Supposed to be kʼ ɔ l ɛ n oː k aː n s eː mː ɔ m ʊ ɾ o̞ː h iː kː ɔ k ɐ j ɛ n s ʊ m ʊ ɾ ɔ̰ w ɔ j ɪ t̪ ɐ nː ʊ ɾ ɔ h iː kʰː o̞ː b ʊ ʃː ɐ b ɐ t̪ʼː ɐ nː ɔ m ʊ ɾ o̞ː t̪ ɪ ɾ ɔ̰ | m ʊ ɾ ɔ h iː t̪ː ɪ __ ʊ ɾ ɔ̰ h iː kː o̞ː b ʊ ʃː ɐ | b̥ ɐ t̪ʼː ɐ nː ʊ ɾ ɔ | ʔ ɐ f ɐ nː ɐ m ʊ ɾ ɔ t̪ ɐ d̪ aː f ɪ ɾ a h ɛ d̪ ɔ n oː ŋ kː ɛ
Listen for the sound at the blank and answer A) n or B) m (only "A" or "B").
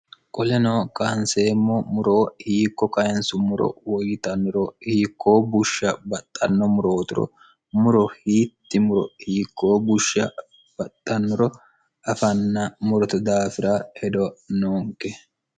B